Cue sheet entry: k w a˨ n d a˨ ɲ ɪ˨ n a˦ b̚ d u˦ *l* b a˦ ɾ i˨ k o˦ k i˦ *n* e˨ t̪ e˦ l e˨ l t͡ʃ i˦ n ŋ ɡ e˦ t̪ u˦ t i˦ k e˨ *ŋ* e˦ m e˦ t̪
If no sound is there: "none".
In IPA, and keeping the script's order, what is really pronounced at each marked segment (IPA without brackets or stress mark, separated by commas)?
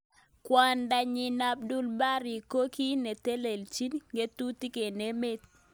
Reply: l, n, n